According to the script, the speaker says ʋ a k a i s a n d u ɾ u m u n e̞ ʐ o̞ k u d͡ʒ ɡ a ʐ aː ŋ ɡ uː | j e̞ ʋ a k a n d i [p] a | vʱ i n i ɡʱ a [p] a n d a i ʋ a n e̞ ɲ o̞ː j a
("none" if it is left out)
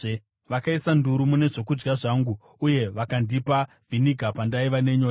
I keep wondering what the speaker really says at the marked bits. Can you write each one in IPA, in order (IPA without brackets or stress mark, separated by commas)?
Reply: p, p